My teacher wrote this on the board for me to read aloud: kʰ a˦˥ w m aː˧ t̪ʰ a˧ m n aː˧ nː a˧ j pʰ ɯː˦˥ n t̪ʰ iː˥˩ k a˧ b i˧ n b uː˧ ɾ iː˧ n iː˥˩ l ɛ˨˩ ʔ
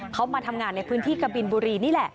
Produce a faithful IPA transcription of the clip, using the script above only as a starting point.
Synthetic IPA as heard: kʰ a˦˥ w m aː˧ t̪ʰ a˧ m ŋ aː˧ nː a˧ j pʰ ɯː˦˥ n t̪ʰ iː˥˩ k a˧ b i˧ n b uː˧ ɾ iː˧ n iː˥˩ l ɛ˨˩ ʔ